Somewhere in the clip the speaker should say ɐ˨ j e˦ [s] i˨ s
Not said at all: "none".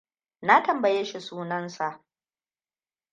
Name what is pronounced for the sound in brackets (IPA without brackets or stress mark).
ʃ